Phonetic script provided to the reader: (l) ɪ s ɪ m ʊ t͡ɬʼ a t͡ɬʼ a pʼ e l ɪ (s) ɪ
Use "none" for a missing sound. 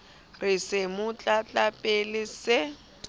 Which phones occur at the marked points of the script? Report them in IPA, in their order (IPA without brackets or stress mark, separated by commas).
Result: r, s